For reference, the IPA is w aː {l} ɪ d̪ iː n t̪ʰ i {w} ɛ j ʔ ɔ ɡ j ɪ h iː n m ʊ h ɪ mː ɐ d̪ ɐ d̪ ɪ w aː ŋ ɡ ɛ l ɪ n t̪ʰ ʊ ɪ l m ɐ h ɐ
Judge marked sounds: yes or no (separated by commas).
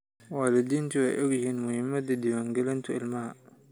yes, yes